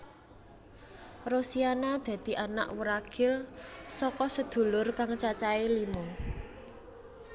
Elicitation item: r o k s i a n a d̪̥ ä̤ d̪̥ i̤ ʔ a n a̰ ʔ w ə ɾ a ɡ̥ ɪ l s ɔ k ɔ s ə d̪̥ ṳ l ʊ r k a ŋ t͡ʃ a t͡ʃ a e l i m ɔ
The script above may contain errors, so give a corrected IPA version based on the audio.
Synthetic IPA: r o s i a n a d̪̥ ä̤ d̪̥ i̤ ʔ a n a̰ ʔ w ə ɾ a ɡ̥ ɪ l s ɔ k ɔ s ə d̪̥ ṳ l ʊ r k a ŋ t͡ʃ a t͡ʃ a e l i m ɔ